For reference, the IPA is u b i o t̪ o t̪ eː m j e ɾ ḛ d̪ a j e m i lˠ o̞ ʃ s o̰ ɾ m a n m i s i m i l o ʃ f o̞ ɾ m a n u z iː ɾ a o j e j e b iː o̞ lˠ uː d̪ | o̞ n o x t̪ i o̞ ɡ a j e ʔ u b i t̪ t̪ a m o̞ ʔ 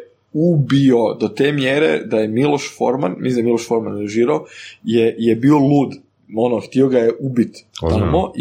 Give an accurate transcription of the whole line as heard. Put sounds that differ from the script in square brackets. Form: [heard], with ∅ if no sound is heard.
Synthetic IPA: u b i o [d̪] o t̪ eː m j e ɾ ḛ d̪ a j e m i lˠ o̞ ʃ [f] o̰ ɾ m a n m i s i m i l o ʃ f o̞ ɾ m a n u [ʒ] iː ɾ a o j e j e b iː o̞ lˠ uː d̪ | o̞ n o x t̪ i o̞ ɡ a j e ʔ u b i t̪ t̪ a m o̞ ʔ